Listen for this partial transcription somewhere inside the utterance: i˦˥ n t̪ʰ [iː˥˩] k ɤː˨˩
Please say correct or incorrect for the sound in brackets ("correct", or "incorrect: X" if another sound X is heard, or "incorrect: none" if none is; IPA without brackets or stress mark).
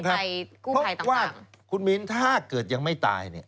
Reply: incorrect: aː˥˩